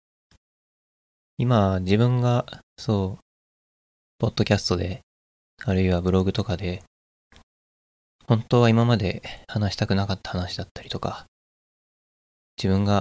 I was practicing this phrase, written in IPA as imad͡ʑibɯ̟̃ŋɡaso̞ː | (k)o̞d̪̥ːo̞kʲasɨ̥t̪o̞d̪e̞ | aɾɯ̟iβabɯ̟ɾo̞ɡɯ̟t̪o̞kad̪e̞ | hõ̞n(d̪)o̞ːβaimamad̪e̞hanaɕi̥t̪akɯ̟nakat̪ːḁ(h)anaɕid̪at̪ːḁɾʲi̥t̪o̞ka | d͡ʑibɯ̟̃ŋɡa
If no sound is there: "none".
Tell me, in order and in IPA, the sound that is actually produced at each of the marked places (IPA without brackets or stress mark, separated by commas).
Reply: p, t̪, h